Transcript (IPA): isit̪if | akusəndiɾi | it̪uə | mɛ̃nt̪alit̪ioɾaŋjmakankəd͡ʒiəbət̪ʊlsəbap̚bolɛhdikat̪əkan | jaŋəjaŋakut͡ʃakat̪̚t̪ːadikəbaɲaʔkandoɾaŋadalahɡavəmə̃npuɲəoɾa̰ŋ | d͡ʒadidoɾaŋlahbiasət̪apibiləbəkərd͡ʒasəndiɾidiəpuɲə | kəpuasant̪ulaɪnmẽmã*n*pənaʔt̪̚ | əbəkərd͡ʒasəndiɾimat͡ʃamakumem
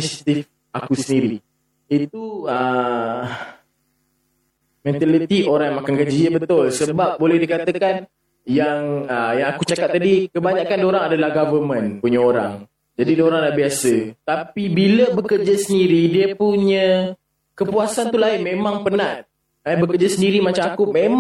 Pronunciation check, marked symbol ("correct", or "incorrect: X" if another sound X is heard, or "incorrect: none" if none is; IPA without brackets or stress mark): incorrect: ŋ